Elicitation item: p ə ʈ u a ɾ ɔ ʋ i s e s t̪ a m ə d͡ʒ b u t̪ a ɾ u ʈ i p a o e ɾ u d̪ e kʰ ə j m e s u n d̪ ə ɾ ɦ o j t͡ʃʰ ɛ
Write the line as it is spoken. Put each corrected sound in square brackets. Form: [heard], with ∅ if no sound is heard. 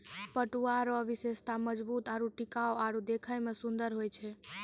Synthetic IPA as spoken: p ə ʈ u a ɾ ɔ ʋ i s e s t̪ a m ə d͡ʒ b u t̪ a ɾ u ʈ i [k] a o [a] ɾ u d̪ e kʰ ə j m e s u n d̪ ə ɾ ɦ o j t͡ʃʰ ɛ

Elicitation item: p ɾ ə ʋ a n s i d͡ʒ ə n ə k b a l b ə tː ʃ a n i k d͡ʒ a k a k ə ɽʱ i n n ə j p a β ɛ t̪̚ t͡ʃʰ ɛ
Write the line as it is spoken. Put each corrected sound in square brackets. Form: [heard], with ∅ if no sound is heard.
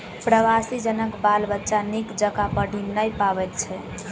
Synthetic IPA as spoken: p ɾ ə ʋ a [∅] s i d͡ʒ ə n ə k b a l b ə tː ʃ a n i k d͡ʒ [ə] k a [p] ə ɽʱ i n n ə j p a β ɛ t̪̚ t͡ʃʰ ɛ

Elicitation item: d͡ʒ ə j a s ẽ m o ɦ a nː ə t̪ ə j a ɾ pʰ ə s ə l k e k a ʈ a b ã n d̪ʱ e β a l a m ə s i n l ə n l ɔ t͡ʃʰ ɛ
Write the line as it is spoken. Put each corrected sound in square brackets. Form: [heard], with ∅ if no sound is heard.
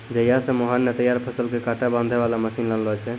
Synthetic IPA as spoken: d͡ʒ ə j a s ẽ m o ɦ a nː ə t̪ ə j a ɾ pʰ ə s ə l k e k a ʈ a b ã n d̪ʱ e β a l a m ə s i n l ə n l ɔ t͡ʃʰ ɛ

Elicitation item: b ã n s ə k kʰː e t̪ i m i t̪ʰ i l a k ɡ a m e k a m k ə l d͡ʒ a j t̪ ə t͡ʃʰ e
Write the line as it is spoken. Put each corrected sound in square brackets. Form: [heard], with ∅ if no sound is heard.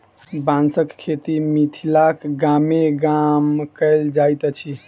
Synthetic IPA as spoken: b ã n s ə k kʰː e t̪ i m i t̪ʰ i l a k ɡ a m e [ɡ] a m k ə l d͡ʒ a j t̪ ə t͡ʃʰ [i]

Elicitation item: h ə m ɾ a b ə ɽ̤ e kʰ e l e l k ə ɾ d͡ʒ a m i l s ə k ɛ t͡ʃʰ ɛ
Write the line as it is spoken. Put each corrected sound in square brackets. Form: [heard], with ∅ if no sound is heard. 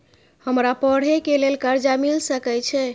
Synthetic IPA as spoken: h ə m ɾ a [p] ə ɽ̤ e [k] e l e l k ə ɾ d͡ʒ a m i l s ə k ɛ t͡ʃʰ ɛ

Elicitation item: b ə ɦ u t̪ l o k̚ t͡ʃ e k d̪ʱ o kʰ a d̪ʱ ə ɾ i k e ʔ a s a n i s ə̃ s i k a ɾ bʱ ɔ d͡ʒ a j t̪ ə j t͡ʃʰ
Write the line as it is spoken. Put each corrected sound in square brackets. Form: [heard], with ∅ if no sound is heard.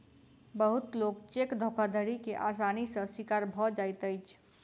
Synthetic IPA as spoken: b ə ɦ u t̪ l o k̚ t͡ʃ e k d̪ʱ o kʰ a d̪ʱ ə ɾ i k e ʔ a s a n i s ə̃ s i k a ɾ bʱ ɔ d͡ʒ a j t̪ ə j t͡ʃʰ

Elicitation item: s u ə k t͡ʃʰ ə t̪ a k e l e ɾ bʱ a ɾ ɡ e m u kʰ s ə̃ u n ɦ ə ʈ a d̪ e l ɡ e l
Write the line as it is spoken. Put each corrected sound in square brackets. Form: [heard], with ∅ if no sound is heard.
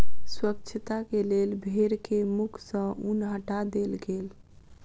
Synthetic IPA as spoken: s [w] ə k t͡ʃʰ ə t̪ a k e l e [l] bʱ [e] ɾ [k] e m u kʰ s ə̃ u n ɦ ə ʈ a d̪ e l ɡ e l

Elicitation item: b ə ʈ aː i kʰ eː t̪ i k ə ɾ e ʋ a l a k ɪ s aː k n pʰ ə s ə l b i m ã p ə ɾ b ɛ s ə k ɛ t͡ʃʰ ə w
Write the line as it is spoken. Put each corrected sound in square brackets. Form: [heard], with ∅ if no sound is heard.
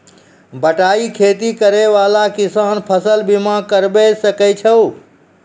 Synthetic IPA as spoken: b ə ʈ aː i kʰ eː t̪ i k ə ɾ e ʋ a l a k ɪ s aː [∅] n pʰ ə s ə l b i m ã [k] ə ɾ b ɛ s ə k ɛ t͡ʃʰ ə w

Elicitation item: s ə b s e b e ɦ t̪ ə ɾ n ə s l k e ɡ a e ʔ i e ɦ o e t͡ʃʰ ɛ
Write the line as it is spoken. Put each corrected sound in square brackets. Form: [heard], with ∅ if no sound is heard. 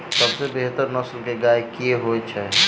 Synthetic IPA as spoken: s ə b s e b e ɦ t̪ ə ɾ n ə s l k e ɡ a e [k] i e ɦ o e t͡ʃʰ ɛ

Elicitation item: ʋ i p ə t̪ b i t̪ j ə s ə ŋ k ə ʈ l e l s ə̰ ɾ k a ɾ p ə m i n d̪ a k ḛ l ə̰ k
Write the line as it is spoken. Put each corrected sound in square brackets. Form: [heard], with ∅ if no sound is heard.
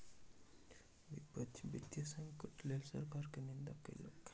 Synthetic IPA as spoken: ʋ i p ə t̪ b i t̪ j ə s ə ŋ k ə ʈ l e l s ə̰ ɾ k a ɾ [k] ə [n] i n d̪ a k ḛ l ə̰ k

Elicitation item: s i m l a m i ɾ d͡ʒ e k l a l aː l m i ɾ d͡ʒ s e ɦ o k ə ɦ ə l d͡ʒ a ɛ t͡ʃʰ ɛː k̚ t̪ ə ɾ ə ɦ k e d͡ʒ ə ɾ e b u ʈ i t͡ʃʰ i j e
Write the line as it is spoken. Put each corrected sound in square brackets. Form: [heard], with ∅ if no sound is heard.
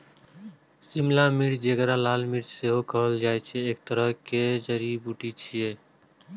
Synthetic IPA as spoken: s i m l a m i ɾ d͡ʒ e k [ɾ] a l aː l m i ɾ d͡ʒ s e ɦ o k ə ɦ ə l d͡ʒ a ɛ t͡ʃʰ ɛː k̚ t̪ ə ɾ ə ɦ k e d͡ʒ ə ɾ [i] b u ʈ i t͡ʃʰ i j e

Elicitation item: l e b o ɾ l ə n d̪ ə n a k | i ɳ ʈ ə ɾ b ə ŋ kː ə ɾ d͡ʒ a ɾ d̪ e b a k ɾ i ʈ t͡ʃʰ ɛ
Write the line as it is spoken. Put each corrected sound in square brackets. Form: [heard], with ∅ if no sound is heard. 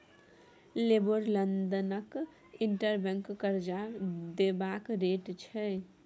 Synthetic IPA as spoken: l e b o ɾ l ə n d̪ ə n [ə] k | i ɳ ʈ ə ɾ b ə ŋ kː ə ɾ d͡ʒ a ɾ d̪ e b a k ɾ [e] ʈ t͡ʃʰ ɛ

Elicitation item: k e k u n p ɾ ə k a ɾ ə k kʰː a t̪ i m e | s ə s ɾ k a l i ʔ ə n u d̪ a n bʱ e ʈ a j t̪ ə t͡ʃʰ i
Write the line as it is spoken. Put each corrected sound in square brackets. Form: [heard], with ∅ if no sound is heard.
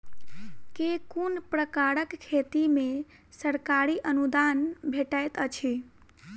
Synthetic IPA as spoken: k e k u n p ɾ ə k a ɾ ə k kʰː [e] t̪ i m e | s ə [∅] ɾ k a [ɾ] i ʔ ə n u d̪ a n bʱ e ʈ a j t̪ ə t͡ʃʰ i

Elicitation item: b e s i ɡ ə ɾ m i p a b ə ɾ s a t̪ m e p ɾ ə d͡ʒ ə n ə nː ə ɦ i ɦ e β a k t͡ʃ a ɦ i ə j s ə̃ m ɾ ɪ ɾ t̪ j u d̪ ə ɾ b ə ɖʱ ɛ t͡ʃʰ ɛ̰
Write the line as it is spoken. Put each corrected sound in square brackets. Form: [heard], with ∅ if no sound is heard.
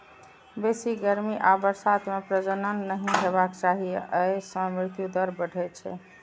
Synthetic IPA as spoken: b e s i ɡ ə ɾ m i [ʔ] a b ə ɾ s a t̪ m e p ɾ ə d͡ʒ ə n ə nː ə ɦ i ɦ e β a k t͡ʃ a ɦ i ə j s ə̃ m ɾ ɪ ɾ t̪ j u d̪ ə ɾ b ə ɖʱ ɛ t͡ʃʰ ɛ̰

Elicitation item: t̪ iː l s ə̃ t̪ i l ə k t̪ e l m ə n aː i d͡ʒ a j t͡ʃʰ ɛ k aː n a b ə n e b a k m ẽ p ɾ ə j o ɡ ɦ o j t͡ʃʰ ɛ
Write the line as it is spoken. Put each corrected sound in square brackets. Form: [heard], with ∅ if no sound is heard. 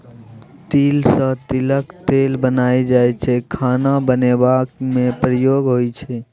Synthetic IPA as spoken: t̪ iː l s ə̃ t̪ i l ə k t̪ e l [b] ə n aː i d͡ʒ a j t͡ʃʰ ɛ [kʰ] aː n a b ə n e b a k m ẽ p ɾ ə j o ɡ ɦ o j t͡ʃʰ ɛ

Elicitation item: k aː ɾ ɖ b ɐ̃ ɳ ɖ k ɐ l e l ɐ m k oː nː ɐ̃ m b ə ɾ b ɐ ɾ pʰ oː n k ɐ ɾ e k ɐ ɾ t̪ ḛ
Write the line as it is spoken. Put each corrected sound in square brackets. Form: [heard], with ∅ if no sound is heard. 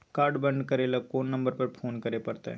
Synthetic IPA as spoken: k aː ɾ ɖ b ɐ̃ ɳ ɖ k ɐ [ɾ] e l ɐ [∅] k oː nː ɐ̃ m b ə ɾ [p] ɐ ɾ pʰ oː n k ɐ ɾ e [p] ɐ ɾ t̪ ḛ

